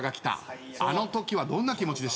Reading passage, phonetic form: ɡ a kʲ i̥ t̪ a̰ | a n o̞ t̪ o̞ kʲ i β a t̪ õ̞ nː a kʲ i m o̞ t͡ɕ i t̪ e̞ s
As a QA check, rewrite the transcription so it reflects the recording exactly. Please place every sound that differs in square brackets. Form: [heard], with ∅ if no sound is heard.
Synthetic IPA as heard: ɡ a kʲ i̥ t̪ a̰ | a n o̞ t̪ o̞ kʲ i β a [d̪] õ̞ nː a kʲ i m o̞ t͡ɕ i [d̪] e̞ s